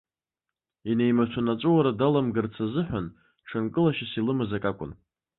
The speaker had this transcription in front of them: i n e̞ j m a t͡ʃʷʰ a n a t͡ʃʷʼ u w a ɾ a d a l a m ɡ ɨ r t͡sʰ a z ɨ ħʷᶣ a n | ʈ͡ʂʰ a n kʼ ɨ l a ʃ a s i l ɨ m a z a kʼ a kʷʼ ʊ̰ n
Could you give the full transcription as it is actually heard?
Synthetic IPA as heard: i n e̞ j m a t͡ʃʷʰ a n a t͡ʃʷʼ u w a ɾ a d a l a m ɡ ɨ r t͡sʰ a z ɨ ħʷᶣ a n | ʈ͡ʂʰ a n kʼ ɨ l a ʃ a s i l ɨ m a z a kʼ a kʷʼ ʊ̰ n